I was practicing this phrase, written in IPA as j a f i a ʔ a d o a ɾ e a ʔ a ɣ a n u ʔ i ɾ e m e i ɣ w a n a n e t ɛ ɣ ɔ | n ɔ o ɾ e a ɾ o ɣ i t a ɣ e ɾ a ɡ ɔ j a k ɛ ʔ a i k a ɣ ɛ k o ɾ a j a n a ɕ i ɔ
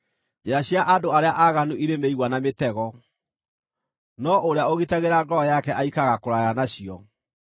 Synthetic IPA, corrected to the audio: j a ɕ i a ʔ a d o a ɾ e a ʔ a ɣ a n u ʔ i ɾ e m e i ɣ w a n a m e t ɛ ɣ ɔ | n ɔ o ɾ e a o ɣ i t a ɣ e ɾ a ɡ ɔ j a k ɛ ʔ a i k a ɣ a k o ɾ a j a n a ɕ i ɔ

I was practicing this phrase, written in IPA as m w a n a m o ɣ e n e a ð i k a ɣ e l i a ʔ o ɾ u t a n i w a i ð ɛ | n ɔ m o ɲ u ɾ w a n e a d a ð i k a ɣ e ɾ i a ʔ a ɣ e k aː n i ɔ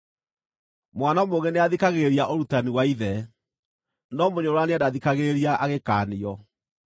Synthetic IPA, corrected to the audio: m w a n a m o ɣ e n e a ð i k a ɣ e ɾ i a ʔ o ɾ u t a n i w a i ð ɛ | n ɔ m o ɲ o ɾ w a n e a d a ð i k a ɣ e ɾ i a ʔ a ɣ e k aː n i ɔ

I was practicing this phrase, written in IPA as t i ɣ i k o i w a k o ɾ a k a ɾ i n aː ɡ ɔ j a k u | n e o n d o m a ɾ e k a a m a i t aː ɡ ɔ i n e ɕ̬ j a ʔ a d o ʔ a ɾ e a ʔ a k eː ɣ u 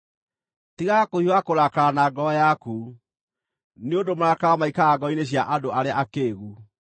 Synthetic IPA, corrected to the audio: t i ɣ a k o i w a k o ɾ a k a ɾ a n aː ɡ ɔ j a k u | n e o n d o m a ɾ a k a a m a i k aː ɡ ɔ i n e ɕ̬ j a ʔ a d o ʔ a ɾ e a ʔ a k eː ɣ u

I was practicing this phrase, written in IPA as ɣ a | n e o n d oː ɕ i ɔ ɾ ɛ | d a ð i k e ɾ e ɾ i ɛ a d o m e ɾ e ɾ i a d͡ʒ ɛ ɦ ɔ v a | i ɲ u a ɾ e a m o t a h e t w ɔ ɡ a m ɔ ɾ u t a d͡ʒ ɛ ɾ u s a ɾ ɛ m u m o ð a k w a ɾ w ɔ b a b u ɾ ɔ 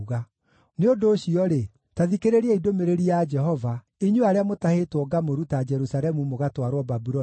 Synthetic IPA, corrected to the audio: ɣ a | n e o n d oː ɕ i ɔ ɾ e | t a ð i k e ɾ e ɾ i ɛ i d o m e ɾ e ɾ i a d͡ʒ ɛ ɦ ɔ v a | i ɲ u a ɾ e a m o t a h e t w ɔ ɡ a m o ɾ u t a d͡ʒ ɛ ɾ u s a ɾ ɛ m u m o ɣ a t w a ɾ w ɔ b a b u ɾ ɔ

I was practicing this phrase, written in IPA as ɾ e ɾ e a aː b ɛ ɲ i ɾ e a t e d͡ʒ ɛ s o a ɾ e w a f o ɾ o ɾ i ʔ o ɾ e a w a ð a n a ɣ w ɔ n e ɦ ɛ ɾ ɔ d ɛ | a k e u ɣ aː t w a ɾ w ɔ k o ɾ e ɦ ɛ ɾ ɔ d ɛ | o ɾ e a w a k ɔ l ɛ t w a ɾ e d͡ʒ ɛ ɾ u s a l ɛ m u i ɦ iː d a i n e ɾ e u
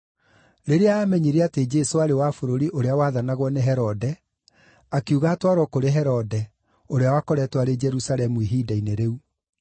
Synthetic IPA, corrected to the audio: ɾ e ɾ e a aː m ɛ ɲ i ɾ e a t e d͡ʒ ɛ s o a ɾ e w a f o ɾ o ɾ i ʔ o ɾ e a w a ð a n a ɣ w ɔ n e ɦ ɛ ɾ ɔ d ɛ | a k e u ɣ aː t w a ɾ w ɔ k o ɾ e ɦ ɛ ɾ ɔ d ɛ | o ɾ e a w a k ɔ ɾ ɛ t w a ɾ e d͡ʒ ɛ ɾ u s a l ɛ m u i ɦ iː d a i n e ɾ e u

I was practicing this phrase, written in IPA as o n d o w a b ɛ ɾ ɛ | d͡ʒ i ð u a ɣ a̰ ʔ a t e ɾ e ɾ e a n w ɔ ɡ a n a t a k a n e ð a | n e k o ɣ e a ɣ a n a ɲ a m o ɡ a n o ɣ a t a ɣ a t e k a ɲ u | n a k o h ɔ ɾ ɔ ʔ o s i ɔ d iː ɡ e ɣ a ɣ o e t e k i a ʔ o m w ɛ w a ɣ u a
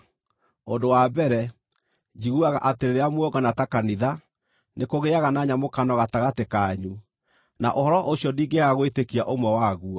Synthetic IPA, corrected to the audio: o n d o w a b ɛ ɾ ɛ | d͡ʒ i ɣ u a ɣ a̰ ʔ a t e ɾ e ɾ e a m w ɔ ɡ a n a t a k a n i ð a | n e k o ɣ e a ɣ a n a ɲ a m o k a n ɔ ɣ a t a ɣ a t e k a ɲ u | n a ʔ o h ɔ ɾ ɔ ʔ o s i ɔ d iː ɡ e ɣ a ɣ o e t e k i a ʔ o m w ɛ w a ɣ u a

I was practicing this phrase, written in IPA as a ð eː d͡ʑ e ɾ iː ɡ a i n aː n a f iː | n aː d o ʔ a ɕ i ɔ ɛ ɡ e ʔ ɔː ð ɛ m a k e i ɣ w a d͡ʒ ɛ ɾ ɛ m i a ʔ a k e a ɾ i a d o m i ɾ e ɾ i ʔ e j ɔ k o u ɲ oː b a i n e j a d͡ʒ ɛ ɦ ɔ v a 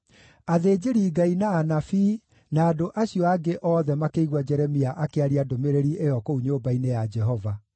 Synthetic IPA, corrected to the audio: a ð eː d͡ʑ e ɾ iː ɡ a i n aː n a f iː | n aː d o ʔ a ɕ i ɔ a ɡ e ʔ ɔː ð ɛ m a k e i ɣ w a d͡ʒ ɛ ɾ ɛ m i a ʔ a k e a ɾ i a d o m e ɾ e ɾ i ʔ e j ɔ k o u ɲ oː b a i n e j a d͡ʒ ɛ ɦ ɔ v a

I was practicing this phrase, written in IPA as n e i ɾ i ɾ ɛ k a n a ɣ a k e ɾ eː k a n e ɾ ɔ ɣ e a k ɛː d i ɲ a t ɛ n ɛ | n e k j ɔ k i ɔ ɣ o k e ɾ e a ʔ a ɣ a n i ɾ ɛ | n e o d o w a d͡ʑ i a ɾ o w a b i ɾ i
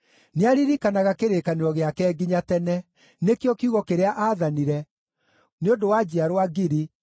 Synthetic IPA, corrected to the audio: n e a ɾ i ɾ i k a n a ɣ a k e ɾ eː k a n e ɾ ɔ ɣ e a k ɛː ɡ i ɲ a t ɛ n ɛ | n e k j ɔ k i u ɣ ɔ k e ɾ e a ʔ a ð a n i ɾ ɛ | n e o d o w a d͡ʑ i a ɾ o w a ɡ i ɾ i

